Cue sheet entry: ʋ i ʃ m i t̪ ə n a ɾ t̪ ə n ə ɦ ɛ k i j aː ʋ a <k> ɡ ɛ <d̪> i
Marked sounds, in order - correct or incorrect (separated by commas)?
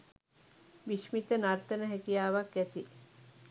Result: correct, incorrect